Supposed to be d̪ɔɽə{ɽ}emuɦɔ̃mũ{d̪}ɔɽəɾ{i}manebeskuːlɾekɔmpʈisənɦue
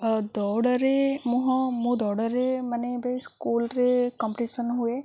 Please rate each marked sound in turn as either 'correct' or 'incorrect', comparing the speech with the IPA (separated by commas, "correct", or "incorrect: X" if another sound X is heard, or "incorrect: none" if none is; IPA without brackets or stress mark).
incorrect: ɾ, correct, incorrect: e